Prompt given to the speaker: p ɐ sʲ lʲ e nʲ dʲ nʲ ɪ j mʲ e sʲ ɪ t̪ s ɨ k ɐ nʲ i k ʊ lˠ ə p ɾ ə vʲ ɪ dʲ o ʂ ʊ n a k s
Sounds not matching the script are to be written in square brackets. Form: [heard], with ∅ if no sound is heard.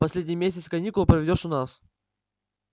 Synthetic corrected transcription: p ɐ sʲ lʲ e [∅] dʲ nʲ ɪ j mʲ e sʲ ɪ t̪ s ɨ k ɐ nʲ i k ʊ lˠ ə p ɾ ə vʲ ɪ dʲ o ʂ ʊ n a [∅] s